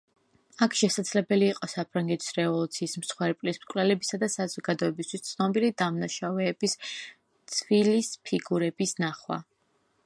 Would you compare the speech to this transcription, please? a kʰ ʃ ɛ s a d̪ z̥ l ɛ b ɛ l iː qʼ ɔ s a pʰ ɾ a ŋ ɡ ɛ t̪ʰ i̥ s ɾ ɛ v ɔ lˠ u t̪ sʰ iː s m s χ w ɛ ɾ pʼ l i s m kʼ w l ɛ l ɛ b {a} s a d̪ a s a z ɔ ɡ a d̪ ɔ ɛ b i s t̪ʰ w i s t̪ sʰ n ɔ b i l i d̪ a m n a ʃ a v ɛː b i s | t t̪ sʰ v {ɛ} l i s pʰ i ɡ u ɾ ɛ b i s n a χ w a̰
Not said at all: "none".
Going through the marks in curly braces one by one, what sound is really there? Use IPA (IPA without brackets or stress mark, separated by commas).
i, i